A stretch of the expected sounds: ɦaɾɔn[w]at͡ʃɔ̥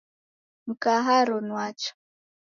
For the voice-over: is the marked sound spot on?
yes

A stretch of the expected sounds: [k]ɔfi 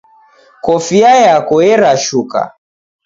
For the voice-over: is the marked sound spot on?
yes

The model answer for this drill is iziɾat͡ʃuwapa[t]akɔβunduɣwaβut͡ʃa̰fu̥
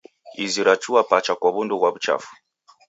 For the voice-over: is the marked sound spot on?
no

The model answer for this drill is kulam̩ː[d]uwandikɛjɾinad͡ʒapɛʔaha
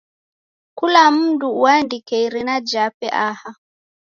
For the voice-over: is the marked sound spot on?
yes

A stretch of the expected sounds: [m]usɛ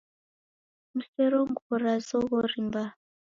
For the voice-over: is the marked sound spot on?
yes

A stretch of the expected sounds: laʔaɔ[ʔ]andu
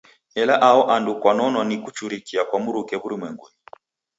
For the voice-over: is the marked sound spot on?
yes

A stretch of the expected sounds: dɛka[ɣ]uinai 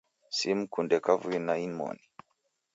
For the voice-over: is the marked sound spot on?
no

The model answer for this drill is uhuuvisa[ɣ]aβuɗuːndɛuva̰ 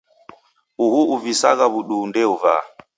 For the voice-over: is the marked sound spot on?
yes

